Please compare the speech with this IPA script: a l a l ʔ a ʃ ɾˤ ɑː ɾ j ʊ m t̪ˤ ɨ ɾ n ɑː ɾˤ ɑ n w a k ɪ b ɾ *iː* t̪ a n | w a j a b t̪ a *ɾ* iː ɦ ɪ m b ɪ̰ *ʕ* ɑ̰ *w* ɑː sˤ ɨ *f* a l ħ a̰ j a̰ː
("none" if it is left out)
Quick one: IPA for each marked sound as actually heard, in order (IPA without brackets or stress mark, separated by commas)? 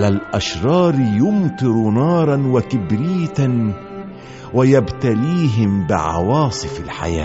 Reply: iː, l, ʕ, w, f